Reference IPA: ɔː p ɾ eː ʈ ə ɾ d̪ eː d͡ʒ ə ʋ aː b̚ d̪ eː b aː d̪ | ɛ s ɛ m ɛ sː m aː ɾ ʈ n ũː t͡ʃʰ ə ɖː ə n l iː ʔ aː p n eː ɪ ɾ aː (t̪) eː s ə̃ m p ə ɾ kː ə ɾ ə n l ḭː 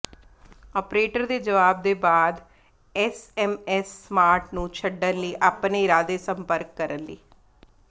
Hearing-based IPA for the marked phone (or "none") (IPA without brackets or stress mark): d̪